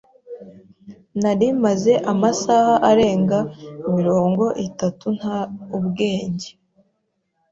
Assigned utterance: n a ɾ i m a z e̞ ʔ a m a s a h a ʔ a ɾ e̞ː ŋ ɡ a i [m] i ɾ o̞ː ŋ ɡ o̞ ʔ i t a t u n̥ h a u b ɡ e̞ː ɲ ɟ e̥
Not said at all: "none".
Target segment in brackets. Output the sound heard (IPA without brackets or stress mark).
m